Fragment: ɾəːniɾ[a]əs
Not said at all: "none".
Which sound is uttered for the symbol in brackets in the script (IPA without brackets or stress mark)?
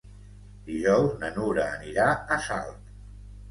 a